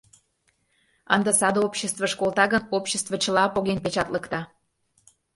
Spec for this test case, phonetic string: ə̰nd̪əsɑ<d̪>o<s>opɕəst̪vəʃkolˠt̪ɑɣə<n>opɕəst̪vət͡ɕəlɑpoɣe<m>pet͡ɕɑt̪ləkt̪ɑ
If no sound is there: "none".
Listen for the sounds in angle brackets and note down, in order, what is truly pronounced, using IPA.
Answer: d̪, none, n, n

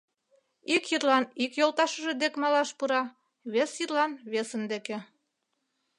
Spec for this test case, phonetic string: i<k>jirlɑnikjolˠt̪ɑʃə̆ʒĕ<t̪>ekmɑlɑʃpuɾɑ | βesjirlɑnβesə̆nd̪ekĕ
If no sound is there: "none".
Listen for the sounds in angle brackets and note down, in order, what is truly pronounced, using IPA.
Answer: k, d̪

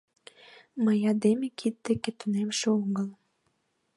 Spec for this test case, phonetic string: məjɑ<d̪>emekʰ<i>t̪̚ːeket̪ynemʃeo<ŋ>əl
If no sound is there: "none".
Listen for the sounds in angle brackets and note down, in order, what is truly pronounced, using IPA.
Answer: d̪, i, ŋ

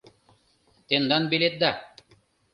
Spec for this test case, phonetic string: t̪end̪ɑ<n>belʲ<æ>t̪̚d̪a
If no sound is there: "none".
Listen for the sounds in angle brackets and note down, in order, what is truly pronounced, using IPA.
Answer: n, e

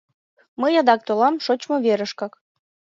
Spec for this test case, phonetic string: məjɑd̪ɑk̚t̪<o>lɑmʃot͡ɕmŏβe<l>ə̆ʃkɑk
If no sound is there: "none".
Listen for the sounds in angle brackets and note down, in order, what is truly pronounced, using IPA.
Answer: o, ɾ

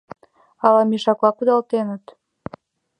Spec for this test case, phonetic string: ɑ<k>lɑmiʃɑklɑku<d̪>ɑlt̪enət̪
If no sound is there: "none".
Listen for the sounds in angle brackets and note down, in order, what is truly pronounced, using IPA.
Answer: none, d̪

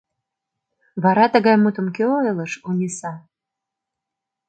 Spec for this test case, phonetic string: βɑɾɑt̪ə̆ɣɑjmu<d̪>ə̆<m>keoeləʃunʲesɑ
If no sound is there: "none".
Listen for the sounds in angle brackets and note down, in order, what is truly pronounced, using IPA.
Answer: t̪, m

